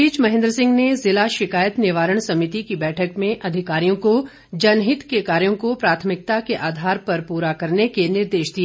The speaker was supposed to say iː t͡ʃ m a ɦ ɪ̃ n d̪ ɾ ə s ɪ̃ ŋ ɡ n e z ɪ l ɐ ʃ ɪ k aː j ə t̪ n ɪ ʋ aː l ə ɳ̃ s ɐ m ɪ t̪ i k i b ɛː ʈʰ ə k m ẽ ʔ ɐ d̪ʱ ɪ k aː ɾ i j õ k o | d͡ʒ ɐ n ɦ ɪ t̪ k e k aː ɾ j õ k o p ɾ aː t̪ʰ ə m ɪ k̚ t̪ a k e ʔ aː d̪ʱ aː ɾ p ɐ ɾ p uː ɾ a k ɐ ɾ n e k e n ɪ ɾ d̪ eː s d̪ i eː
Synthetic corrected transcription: iː t͡ʃ m ɐ ɦ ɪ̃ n d̪ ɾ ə s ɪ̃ ŋ ɡ n e z ɪ l a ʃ ɪ k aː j ə t̪ n ɪ ʋ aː ɾ ə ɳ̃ s ɐ m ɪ t̪ i k i b ɛː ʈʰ ə k m ẽ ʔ ɐ d̪ʱ ɪ k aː ɾ i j õ k o | d͡ʒ ɐ n ɦ ɪ t̪ k e k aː ɾ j õ k o p ɾ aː t̪ʰ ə m ɪ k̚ t̪ a k e ʔ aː d̪ʱ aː ɾ p ɐ ɾ p uː ɾ a k ɐ ɾ n e k e n ɪ ɾ d̪ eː ʃ d̪ i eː

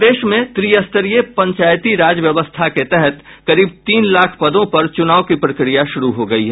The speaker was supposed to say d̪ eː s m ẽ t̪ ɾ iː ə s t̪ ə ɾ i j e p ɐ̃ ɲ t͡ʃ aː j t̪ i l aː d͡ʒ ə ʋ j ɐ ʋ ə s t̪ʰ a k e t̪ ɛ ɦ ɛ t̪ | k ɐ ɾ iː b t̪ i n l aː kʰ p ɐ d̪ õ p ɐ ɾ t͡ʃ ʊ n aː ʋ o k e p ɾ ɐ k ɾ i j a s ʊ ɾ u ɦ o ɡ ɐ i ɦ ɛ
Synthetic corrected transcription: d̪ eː ʃ m ẽ t̪ ɾ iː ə s t̪ ə ɾ i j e p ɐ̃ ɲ t͡ʃ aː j t̪ i ɾ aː d͡ʒ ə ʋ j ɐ ʋ ə s t̪ʰ a k e t̪ ɛ ɦ ɛ t̪ | k ɐ ɾ iː b t̪ iː n l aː kʰ p ɐ d̪ õ p ɐ ɾ t͡ʃ ʊ n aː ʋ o k i p ɾ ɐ k ɾ i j a ʃ ʊ ɾ u ɦ o ɡ ɐ i ɦ ɛ

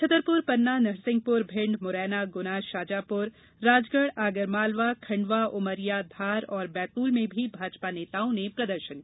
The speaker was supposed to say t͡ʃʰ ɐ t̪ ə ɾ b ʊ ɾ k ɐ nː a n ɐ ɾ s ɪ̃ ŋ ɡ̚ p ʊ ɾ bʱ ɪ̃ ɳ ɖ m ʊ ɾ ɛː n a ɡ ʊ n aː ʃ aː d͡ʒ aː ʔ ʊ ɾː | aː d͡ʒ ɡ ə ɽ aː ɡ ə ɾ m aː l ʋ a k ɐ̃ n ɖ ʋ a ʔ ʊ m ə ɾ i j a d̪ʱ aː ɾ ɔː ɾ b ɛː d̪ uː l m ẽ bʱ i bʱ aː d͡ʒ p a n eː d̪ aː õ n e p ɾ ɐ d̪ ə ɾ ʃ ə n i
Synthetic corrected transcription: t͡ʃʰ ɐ t̪ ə ɾ p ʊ ɾ p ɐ nː a n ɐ ɾ s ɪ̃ ŋ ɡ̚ p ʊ ɾ bʱ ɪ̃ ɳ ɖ m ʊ ɾ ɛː n a ɡ ʊ n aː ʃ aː d͡ʒ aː p ʊ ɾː | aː d͡ʒ ɡ ə ɽ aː ɡ ə ɾ m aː l ʋ a kʰ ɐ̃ ɳ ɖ ʋ a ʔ ʊ m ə ɾ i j a d̪ʱ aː ɾ ɔː ɾ b ɛː t̪ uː l m ẽ bʱ i bʱ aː d͡ʒ p a n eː t̪ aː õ n e p ɾ ɐ d̪ ə ɾ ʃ ə n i

